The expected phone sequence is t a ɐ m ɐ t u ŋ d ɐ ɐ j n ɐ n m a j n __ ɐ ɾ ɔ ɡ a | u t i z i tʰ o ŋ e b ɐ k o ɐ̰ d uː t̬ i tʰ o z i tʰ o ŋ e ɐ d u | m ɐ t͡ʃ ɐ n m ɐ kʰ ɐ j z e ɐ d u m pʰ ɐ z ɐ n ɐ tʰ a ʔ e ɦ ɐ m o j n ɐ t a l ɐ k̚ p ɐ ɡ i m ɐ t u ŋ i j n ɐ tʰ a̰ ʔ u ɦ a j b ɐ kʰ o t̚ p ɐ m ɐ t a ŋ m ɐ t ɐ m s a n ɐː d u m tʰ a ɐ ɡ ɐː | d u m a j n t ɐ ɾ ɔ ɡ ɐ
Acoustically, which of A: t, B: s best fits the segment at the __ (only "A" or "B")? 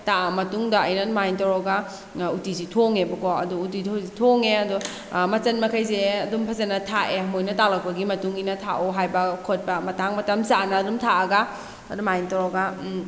A